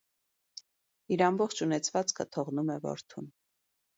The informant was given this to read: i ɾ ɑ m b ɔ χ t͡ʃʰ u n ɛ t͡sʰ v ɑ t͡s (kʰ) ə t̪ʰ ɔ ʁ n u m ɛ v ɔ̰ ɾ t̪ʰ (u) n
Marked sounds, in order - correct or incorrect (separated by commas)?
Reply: correct, correct